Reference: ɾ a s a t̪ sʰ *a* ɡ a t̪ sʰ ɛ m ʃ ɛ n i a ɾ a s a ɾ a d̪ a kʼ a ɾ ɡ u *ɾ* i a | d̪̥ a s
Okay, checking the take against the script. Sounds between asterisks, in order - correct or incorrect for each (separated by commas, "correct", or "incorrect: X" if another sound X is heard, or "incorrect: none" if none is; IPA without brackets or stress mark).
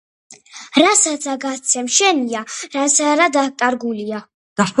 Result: correct, incorrect: l